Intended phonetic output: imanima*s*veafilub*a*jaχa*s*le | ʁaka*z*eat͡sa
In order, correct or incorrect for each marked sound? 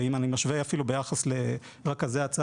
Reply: incorrect, incorrect, correct, correct

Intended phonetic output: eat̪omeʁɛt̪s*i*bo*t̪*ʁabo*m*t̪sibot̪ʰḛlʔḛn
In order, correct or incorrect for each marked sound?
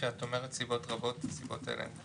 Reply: correct, correct, incorrect

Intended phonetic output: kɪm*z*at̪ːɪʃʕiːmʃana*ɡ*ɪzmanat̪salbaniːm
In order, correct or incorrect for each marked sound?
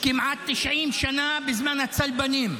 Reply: incorrect, incorrect

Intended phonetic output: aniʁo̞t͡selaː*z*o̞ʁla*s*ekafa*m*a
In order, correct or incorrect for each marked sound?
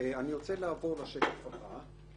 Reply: incorrect, incorrect, incorrect

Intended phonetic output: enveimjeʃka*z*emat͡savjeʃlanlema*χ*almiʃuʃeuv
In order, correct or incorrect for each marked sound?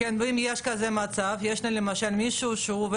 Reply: correct, incorrect

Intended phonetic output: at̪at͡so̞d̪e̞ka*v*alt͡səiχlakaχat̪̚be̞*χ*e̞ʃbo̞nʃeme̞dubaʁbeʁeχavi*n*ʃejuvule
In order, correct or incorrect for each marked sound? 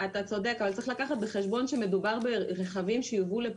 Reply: correct, correct, incorrect

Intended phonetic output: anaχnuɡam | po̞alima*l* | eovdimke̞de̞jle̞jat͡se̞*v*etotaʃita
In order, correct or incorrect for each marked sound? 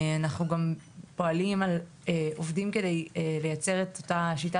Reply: correct, incorrect

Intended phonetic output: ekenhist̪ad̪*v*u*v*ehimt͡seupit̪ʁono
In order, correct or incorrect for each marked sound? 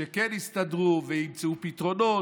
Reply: incorrect, correct

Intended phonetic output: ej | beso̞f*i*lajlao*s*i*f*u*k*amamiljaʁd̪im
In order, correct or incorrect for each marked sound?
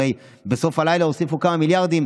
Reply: incorrect, correct, correct, correct

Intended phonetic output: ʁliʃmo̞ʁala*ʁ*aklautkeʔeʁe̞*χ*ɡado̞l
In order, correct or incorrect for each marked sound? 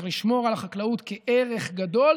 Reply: incorrect, correct

